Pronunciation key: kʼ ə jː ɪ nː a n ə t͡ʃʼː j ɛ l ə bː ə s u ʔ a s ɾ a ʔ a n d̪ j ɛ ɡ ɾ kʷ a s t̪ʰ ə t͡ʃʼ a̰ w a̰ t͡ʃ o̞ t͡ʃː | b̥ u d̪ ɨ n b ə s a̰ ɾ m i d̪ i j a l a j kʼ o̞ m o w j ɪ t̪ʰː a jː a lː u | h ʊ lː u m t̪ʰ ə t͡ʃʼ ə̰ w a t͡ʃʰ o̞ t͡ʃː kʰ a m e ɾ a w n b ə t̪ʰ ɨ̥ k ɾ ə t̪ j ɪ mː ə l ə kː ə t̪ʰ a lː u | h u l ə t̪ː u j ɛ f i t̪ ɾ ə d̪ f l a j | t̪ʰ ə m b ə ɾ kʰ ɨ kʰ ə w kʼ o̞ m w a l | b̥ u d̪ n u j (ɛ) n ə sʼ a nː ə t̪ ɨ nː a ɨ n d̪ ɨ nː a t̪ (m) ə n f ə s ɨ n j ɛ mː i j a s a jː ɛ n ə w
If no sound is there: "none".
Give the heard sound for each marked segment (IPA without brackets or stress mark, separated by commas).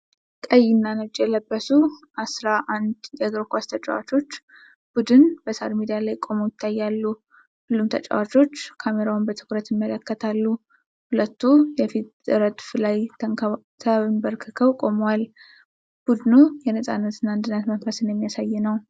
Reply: ɛ, m